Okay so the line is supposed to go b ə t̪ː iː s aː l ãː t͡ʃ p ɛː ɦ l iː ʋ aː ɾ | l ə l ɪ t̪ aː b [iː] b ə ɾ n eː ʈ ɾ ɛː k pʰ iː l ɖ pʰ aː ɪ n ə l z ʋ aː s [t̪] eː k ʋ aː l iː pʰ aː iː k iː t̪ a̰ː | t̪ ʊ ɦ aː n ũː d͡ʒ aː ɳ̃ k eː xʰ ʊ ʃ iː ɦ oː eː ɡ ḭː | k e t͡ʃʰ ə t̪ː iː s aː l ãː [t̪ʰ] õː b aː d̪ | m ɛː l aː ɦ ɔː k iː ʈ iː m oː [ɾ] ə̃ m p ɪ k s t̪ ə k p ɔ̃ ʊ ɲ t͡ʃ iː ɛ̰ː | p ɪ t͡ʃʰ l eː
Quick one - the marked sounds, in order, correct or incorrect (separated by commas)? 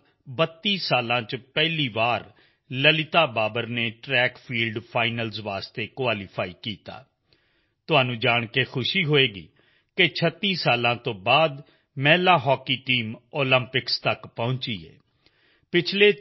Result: incorrect, correct, incorrect, incorrect